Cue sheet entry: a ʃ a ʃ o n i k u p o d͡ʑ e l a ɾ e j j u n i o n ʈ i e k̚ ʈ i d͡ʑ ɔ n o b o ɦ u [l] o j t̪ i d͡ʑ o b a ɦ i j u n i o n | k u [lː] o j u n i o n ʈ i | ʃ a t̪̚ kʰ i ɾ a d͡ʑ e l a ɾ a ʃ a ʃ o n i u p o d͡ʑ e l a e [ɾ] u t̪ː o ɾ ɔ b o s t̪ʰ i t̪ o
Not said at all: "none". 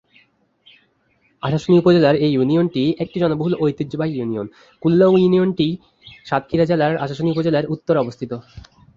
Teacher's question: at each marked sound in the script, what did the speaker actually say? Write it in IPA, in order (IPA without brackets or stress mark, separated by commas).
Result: l, lː, ɾ